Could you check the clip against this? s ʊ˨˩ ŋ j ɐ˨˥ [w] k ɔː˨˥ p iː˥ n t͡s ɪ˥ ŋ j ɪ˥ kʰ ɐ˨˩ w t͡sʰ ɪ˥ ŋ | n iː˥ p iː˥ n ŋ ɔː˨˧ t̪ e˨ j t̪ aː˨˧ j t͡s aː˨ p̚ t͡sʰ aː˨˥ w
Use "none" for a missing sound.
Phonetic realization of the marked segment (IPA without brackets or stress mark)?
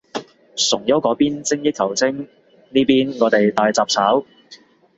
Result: w